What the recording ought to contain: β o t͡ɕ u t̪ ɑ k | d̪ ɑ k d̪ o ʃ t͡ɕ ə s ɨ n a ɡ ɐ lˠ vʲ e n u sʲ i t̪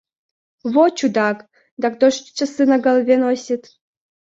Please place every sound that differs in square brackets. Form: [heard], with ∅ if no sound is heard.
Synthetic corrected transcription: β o t͡ɕ u [d̪] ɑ k | d̪ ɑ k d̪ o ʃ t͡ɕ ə s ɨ n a ɡ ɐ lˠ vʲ e n [o] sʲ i t̪